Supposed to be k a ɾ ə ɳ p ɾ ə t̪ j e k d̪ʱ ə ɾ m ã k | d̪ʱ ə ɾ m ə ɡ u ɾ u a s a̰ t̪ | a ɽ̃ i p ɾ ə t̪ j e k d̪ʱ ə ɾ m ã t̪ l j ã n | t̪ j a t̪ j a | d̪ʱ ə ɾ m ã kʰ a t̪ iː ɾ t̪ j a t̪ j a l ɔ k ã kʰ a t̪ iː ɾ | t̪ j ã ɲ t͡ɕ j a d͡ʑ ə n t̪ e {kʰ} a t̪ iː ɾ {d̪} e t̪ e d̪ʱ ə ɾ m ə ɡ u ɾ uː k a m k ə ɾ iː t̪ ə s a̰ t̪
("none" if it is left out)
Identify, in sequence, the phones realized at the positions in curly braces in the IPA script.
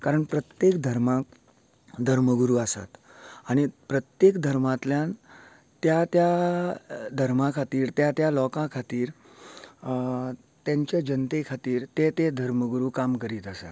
kʰ, t̪

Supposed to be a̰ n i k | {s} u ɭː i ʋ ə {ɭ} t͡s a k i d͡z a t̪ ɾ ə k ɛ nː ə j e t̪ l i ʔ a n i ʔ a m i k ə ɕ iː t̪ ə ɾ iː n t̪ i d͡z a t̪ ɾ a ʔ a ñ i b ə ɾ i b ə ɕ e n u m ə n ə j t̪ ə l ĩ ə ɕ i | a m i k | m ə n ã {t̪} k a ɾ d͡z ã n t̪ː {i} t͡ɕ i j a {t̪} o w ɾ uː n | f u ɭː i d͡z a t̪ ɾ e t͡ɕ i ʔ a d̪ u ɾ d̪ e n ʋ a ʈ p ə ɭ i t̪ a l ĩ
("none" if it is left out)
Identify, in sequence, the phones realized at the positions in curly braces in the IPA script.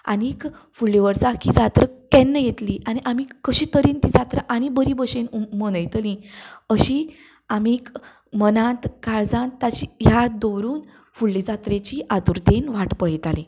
f, ɾ, t̪, a, d̪

